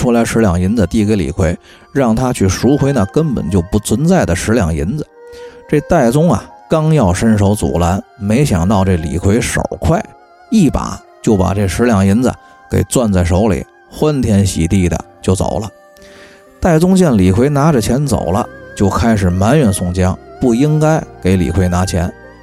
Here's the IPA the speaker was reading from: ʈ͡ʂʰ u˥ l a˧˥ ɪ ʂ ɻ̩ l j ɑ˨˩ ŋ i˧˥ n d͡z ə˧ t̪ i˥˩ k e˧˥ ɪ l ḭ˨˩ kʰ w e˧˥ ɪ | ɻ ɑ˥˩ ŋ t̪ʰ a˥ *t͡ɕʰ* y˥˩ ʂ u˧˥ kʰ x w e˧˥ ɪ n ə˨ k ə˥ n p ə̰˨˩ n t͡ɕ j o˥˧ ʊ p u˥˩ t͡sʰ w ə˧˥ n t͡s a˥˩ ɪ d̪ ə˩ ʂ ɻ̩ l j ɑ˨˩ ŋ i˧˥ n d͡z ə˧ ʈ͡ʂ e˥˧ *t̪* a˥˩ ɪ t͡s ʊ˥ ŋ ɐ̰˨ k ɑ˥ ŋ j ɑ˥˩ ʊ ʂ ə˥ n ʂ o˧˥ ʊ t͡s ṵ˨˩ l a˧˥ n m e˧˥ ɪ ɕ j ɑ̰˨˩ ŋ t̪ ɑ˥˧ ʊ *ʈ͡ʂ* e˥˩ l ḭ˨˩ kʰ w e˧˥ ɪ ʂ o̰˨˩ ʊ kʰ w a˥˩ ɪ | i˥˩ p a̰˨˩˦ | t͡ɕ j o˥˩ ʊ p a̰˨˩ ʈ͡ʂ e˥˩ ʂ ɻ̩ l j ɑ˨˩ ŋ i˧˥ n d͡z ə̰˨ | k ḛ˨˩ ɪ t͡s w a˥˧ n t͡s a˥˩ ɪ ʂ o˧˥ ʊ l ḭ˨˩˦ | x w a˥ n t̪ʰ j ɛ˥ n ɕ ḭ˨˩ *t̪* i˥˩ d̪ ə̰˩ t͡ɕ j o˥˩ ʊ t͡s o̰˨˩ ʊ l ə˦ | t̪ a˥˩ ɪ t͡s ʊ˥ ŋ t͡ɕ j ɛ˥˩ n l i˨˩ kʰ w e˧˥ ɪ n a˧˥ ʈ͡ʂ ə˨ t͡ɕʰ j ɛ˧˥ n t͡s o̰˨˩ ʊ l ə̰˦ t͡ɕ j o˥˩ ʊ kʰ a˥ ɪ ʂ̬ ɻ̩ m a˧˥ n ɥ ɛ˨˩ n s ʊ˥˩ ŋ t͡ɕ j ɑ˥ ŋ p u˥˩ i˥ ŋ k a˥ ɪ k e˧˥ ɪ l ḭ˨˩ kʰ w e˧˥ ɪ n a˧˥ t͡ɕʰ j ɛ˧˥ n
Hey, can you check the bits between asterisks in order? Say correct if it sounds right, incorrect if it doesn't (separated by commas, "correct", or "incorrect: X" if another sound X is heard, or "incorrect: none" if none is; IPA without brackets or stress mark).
correct, correct, correct, correct